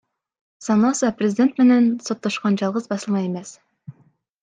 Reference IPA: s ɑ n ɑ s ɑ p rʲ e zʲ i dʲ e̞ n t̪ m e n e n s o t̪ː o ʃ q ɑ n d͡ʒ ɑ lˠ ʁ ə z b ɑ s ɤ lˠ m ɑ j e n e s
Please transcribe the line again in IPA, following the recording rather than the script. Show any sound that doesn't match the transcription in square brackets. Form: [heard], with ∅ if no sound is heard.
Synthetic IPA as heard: s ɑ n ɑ s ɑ p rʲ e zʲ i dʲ e̞ n t̪ m e n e n s o t̪ː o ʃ q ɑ n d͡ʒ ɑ lˠ ʁ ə z b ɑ s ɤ lˠ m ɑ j e [m] e s